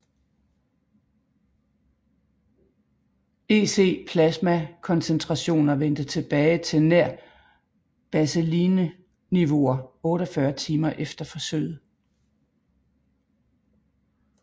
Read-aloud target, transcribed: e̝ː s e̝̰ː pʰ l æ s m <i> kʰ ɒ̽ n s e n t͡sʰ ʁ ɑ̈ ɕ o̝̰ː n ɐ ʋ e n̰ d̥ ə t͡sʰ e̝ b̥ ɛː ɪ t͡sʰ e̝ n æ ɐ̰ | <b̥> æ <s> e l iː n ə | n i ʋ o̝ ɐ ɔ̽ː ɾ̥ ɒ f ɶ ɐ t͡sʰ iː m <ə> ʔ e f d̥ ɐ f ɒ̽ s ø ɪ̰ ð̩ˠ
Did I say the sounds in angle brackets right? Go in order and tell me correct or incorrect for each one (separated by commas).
incorrect, correct, correct, incorrect